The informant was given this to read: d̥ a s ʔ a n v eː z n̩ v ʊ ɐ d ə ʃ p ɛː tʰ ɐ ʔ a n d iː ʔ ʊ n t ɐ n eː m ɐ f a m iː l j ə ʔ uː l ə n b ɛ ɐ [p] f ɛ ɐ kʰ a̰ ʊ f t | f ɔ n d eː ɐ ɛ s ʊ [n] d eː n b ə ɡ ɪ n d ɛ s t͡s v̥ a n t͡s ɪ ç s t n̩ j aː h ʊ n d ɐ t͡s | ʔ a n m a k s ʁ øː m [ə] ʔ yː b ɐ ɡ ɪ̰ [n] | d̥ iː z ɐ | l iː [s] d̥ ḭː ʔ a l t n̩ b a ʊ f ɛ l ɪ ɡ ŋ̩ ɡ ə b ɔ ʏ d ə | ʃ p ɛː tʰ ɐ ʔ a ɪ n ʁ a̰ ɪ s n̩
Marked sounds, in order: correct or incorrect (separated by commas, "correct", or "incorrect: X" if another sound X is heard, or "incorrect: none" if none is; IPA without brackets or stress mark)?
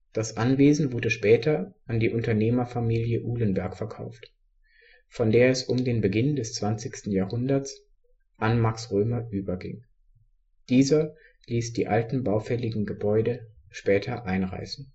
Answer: incorrect: k, incorrect: m, incorrect: ɐ, incorrect: ŋ, correct